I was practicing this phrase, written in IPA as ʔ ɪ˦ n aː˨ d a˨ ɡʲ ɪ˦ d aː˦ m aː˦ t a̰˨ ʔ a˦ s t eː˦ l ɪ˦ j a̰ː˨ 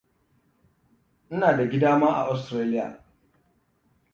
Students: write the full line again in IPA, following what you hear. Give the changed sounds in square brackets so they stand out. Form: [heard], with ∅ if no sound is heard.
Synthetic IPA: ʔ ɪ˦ n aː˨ d a˨ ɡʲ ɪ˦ d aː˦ m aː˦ [ʔ] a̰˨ ʔ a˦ s t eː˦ l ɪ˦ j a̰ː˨